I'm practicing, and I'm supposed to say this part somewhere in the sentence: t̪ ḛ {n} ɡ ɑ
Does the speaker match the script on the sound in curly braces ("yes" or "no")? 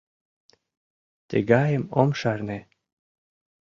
no